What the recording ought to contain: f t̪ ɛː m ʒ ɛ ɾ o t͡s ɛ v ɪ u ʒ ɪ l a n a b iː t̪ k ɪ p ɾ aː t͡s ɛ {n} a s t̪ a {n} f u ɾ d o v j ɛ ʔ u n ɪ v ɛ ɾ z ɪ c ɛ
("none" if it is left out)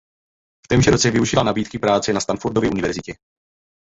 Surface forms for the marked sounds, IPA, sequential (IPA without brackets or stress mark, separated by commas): n, n